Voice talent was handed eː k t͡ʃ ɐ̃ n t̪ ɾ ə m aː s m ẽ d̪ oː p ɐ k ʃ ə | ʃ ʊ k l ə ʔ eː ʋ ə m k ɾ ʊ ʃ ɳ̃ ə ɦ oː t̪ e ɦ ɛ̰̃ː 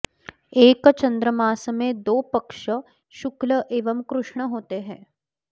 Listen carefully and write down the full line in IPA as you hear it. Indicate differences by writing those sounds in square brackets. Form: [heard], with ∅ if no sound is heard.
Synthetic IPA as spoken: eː k t͡ʃ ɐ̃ n [d̪] ɾ ə m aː s m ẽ d̪ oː p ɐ k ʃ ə | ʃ ʊ k l ə ʔ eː ʋ ə m k ɾ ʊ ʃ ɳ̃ ə ɦ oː t̪ e ɦ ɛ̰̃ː

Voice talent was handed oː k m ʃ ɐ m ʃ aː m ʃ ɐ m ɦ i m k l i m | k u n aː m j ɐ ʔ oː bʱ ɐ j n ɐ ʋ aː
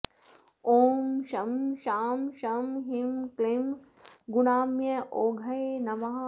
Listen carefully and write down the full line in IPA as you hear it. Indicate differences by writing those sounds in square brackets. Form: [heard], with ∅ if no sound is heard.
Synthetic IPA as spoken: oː [∅] m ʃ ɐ m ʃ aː m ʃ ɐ m ɦ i m k l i m | [ɡ] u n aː m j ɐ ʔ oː [ɡʱ] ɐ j n ɐ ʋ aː

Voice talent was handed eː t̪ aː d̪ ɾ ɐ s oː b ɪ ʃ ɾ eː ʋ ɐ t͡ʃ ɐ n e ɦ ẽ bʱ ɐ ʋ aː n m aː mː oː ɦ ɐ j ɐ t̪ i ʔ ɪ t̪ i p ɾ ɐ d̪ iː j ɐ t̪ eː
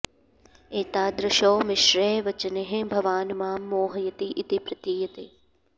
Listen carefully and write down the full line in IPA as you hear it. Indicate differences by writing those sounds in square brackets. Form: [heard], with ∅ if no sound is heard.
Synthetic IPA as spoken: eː t̪ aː d̪ ɾ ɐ [ʃ] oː [m] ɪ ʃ ɾ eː ʋ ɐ t͡ʃ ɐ n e ɦ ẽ bʱ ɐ ʋ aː n m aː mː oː ɦ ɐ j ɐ t̪ i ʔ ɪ t̪ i p ɾ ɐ [t̪] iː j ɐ t̪ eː

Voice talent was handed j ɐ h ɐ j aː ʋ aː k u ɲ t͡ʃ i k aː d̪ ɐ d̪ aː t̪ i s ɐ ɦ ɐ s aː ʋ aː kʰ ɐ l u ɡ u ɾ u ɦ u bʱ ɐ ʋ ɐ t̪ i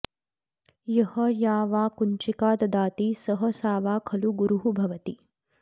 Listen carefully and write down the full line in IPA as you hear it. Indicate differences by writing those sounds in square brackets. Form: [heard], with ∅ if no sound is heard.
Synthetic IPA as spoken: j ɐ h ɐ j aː ʋ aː k u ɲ t͡ʃ i k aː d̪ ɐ d̪ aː t̪ i s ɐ ɦ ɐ s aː ʋ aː kʰ ɐ l u ɡ u ɾ u ɦ u bʱ ɐ ʋ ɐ t̪ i

